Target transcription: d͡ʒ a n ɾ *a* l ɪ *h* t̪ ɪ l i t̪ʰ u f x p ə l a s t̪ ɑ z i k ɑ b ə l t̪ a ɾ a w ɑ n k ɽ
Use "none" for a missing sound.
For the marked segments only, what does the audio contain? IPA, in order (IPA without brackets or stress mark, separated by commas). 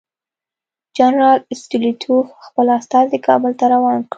ɑ, s